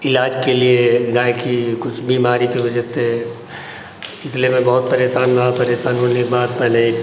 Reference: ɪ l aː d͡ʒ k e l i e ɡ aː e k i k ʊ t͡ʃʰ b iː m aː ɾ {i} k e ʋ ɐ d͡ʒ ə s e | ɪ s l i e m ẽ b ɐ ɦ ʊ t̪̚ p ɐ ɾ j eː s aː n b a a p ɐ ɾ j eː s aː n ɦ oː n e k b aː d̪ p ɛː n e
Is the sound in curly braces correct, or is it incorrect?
correct